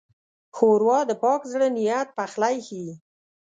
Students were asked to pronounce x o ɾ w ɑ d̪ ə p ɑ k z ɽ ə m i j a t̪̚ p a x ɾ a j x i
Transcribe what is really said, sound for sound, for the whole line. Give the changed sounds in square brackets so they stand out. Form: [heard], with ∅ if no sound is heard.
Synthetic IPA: x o ɾ w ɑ d̪ ə p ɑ k z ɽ ə [n] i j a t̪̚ p a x [l] a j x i

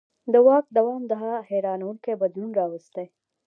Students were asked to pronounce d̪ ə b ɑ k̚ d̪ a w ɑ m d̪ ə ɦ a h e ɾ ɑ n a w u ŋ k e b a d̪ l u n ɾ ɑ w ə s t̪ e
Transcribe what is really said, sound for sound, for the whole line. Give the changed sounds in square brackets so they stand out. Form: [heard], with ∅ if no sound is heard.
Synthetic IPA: d̪ ə [w] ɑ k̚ d̪ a w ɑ m d̪ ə ɦ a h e ɾ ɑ n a w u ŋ k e b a d̪ l u n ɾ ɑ w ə s t̪ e

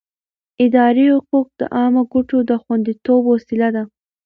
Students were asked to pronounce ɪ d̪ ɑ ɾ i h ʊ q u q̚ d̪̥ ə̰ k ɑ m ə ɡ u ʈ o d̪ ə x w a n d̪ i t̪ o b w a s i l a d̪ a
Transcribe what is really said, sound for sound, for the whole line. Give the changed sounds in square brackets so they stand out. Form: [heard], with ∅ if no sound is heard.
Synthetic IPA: ɪ d̪ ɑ ɾ i h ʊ q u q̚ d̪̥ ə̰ [ʔ] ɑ m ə ɡ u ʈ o d̪ ə x w a n d̪ i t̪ o b w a s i l a d̪ a

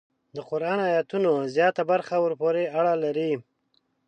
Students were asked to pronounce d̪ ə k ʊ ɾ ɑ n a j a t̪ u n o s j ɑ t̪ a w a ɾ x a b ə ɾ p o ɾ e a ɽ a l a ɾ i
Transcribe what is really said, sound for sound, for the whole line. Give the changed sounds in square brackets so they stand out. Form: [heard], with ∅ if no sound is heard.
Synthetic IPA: d̪ ə [q] ʊ ɾ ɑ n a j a t̪ u n o [z] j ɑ t̪ a [b] a ɾ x a [w] ə ɾ p o ɾ e a ɽ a l a ɾ i

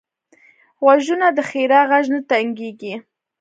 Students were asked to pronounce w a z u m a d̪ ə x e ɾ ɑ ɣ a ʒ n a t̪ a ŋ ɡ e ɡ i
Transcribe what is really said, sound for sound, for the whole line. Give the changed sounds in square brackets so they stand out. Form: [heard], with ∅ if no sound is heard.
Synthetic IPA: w a [ʒ] u [n] a d̪ ə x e ɾ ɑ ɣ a ʒ n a t̪ a ŋ ɡ e ɡ i

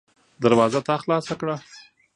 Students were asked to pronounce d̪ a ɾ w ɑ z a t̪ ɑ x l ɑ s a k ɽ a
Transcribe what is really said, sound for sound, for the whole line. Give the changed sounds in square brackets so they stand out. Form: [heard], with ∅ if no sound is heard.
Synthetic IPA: d̪ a ɾ w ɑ z a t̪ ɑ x l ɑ s a k ɽ a

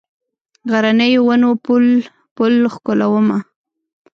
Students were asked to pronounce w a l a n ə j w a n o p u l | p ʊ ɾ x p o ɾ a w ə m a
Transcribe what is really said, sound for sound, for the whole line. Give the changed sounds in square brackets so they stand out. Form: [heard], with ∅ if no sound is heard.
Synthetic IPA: [ɣ] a [ɾ] a n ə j w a n o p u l | p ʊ [l] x [k] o [l] a w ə m a

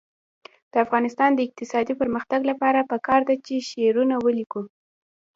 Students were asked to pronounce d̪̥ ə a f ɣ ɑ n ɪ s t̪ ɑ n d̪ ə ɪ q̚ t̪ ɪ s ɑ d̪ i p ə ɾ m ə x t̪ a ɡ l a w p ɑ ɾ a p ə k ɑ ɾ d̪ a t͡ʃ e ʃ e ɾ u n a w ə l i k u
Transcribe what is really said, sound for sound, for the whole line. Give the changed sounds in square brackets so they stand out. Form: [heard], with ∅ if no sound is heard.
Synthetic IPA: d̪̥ ə a f ɣ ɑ n ɪ s t̪ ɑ n d̪ ə ɪ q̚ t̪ ɪ s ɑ d̪ i p ə ɾ m ə x t̪ a ɡ l a [∅] p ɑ ɾ a p ə k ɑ ɾ d̪ a t͡ʃ e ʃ e ɾ u n a w ə l i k u

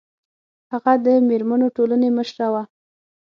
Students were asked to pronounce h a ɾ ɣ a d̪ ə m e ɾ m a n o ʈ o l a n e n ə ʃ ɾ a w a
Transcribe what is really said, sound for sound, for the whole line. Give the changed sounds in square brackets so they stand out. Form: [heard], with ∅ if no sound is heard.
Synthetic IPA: h a [∅] ɣ a d̪ ə m e ɾ m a n o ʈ o l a n e [m] ə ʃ ɾ a w a

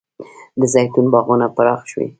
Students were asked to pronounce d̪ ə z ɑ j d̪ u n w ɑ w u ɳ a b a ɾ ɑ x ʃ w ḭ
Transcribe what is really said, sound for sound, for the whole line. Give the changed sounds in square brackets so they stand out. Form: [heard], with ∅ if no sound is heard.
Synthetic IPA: d̪ ə z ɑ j [t̪] u n [b] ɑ [ɣ] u [n] a [p] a ɾ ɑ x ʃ w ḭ

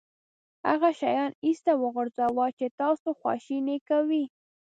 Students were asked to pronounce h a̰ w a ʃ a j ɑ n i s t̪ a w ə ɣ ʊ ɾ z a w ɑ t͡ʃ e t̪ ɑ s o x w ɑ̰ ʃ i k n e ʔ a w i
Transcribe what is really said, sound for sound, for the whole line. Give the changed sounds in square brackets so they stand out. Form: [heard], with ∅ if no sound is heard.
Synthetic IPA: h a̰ [ɣ] a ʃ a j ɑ n i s t̪ a w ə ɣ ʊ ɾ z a w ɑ t͡ʃ e t̪ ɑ s o x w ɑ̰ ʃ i [∅] n e [k] a w i

